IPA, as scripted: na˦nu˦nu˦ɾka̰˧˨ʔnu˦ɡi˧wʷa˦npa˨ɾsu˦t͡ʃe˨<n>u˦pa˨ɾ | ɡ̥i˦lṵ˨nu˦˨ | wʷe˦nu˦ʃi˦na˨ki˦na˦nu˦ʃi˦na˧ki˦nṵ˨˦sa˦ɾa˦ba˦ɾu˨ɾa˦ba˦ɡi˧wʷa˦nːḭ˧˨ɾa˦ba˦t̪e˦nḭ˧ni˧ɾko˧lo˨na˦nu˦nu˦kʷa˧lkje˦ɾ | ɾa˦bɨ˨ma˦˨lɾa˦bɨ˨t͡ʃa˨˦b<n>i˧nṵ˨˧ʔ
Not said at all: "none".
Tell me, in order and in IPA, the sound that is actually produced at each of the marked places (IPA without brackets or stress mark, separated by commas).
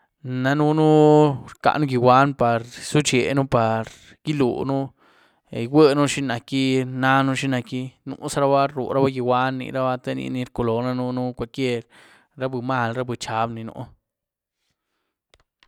n, n